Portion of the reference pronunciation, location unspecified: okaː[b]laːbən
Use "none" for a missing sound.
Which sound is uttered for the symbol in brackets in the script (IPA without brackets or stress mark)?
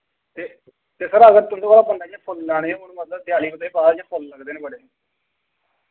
none